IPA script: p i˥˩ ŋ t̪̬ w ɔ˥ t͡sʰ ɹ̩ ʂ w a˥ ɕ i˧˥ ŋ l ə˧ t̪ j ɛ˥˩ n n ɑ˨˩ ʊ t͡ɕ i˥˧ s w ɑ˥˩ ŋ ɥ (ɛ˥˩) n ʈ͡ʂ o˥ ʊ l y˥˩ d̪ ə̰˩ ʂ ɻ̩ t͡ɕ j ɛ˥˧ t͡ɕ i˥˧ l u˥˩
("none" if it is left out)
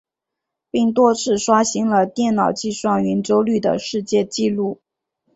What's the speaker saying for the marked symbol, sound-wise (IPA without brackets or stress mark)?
ɛ˧˥